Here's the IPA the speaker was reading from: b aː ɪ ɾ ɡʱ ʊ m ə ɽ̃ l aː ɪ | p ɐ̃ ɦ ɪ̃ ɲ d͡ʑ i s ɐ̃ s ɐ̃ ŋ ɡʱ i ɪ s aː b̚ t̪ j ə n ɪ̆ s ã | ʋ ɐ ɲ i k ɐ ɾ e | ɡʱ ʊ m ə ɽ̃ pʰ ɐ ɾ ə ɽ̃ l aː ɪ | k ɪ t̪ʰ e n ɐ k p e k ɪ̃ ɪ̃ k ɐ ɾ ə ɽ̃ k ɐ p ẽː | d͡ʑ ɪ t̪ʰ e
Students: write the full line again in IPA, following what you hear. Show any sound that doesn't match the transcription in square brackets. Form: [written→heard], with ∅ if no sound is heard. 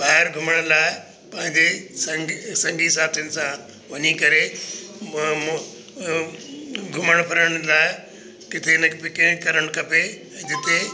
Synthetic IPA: b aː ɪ ɾ ɡʱ ʊ m ə ɽ̃ l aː ɪ | p ɐ̃ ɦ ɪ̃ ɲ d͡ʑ [i→e] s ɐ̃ s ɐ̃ ŋ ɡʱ i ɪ s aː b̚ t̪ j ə n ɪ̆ s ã | ʋ ɐ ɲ i k ɐ ɾ e | ɡʱ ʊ m ə ɽ̃ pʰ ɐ ɾ ə ɽ̃ l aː ɪ | k ɪ t̪ʰ e n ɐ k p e k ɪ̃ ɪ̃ k ɐ ɾ ə ɽ̃ k ɐ p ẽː | d͡ʑ ɪ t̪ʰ e